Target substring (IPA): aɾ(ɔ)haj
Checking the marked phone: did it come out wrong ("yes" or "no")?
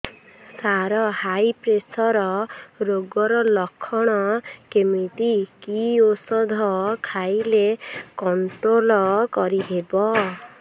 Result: no